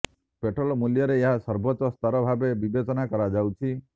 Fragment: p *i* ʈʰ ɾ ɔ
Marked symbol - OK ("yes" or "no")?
no